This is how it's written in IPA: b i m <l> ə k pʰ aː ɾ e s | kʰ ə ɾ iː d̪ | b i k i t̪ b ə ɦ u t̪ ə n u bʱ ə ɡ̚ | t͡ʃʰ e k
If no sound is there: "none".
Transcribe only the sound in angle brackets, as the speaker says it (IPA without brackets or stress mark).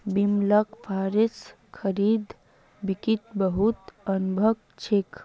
l